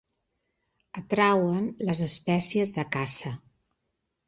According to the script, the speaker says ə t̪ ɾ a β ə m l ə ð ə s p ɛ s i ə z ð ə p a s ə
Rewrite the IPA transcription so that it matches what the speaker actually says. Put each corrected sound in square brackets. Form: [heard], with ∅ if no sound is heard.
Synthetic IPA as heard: ə t̪ ɾ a [w] ə [n] l ə [z] ə s p ɛ s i ə z ð ə [k] a s ə